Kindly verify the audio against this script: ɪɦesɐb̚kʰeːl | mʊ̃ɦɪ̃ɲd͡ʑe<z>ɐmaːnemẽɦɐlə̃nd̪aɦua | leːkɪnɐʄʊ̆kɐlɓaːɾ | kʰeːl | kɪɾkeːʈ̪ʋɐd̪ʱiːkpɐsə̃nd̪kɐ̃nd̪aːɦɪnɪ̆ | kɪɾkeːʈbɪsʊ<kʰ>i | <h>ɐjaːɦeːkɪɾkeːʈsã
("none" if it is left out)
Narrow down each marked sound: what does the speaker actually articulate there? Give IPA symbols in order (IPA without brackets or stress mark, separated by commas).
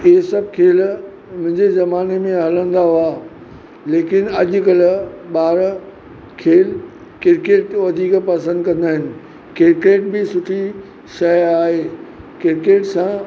z, ʈʰ, ʃ